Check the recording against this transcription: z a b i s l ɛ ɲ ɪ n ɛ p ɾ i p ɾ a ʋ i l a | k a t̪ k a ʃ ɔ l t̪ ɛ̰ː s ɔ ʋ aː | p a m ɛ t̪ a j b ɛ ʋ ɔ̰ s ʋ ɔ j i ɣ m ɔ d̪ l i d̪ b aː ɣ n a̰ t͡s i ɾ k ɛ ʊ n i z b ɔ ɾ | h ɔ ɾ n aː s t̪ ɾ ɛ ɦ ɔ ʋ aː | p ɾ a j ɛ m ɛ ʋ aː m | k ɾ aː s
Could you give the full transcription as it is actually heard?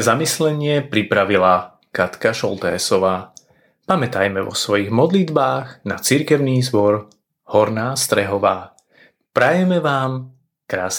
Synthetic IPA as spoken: z a m i s l ɛ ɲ ɪ ɛ p ɾ i p ɾ a ʋ i l a | k a t̪ k a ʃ ɔ l t̪ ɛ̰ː s ɔ ʋ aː | p a m ɛ t̪ a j m ɛ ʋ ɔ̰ s ʋ ɔ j i ɣ m ɔ d̪ l i d̪ b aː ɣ n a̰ t͡s i ɾ k ɛ ʊ n iː z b ɔ ɾ | h ɔ ɾ n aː s t̪ ɾ ɛ ɦ ɔ ʋ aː | p ɾ a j ɛ m ɛ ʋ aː m | k ɾ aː s